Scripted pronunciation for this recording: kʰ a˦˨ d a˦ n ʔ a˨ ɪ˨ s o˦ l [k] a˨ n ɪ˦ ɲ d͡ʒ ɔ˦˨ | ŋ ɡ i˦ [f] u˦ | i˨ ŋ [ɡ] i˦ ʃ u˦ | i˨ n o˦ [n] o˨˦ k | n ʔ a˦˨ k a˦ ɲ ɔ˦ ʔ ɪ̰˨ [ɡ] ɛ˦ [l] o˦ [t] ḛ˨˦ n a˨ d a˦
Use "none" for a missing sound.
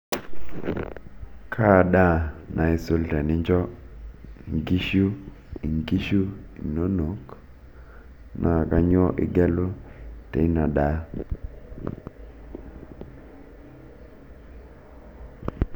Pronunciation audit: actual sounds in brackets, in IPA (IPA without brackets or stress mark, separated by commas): t, ʃ, ɡ, n, ɡ, l, t